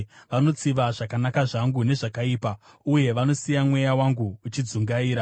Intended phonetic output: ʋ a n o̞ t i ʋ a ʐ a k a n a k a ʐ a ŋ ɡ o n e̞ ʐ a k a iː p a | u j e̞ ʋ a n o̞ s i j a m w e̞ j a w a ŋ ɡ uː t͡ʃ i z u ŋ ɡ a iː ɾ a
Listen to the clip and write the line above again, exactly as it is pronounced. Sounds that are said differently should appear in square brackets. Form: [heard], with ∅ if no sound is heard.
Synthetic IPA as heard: ʋ a n o̞ [t͡s] i ʋ a ʐ a k a n a k a ʐ a ŋ ɡ [u] n e̞ ʐ a k a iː p a | u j e̞ ʋ a n o̞ s i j a m w e̞ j a w a ŋ ɡ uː t͡ʃ i [d͡z] u ŋ ɡ a iː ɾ a